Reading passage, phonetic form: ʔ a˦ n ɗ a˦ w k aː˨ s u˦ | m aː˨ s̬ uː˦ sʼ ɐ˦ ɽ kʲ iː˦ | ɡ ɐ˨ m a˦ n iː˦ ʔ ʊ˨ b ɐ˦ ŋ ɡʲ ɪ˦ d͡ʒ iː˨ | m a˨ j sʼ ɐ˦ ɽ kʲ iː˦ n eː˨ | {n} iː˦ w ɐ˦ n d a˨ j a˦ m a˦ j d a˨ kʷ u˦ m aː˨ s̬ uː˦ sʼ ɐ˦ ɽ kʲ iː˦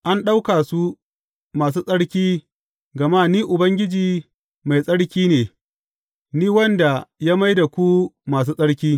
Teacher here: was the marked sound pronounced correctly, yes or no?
yes